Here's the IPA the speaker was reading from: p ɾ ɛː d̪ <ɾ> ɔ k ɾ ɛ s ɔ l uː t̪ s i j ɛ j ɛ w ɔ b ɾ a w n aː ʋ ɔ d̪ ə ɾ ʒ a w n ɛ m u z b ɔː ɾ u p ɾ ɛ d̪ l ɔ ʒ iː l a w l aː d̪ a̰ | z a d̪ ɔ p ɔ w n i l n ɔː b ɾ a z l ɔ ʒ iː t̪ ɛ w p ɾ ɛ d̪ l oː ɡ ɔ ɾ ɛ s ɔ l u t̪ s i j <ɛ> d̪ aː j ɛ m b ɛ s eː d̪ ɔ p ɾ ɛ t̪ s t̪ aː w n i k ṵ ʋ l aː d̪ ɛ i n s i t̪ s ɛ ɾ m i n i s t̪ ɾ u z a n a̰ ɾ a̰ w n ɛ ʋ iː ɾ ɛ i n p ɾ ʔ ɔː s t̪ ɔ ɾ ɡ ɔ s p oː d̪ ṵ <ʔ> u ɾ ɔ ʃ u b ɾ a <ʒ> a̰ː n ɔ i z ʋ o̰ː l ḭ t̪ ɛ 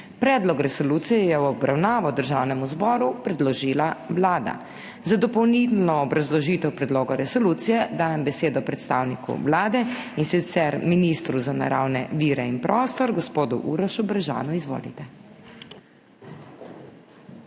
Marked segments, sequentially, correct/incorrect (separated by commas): incorrect, correct, correct, correct